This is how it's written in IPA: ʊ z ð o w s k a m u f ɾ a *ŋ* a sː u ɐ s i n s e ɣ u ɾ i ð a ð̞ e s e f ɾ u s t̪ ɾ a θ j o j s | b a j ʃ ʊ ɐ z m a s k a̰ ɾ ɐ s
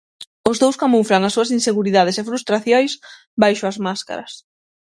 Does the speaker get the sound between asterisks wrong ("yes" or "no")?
no